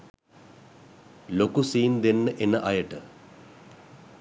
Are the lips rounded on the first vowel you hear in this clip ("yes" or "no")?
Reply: yes